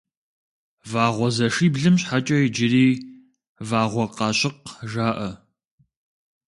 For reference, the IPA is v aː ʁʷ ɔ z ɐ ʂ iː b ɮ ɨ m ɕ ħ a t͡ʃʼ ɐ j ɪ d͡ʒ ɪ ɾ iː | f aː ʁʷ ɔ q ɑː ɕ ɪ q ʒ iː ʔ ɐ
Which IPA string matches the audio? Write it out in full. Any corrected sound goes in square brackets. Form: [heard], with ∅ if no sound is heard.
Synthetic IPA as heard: v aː ʁʷ ɔ z ɐ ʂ iː b ɮ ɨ m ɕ ħ a t͡ʃʼ ɐ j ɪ d͡ʒ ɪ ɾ iː | [v] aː ʁʷ ɔ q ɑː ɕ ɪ q ʒ [aː] ʔ ɐ